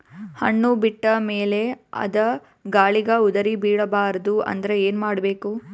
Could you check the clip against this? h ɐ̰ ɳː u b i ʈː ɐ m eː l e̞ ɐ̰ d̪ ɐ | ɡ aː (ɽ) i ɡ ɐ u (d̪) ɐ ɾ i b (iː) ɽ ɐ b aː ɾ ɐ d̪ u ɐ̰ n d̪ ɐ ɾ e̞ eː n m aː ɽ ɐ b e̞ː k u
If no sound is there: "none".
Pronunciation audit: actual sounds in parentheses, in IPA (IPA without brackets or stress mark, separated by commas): ɭ, d̪, iː